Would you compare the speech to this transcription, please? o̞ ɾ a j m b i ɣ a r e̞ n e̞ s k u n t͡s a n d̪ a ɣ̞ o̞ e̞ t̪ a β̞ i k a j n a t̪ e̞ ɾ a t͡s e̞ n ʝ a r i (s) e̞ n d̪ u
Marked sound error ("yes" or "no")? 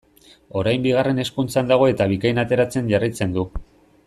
yes